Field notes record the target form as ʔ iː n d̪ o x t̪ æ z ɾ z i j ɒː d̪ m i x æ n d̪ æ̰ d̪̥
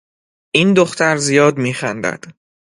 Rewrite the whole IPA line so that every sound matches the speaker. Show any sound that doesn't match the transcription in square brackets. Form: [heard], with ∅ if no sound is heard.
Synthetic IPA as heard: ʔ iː n d̪ o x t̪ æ [∅] ɾ z i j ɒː d̪ m [iː] x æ n d̪ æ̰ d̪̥